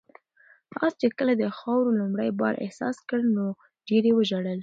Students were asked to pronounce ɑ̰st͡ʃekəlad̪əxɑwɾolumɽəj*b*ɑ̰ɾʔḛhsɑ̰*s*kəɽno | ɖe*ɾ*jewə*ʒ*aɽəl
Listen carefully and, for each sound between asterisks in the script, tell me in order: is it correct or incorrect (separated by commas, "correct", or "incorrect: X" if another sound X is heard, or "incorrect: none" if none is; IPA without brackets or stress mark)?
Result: correct, correct, correct, correct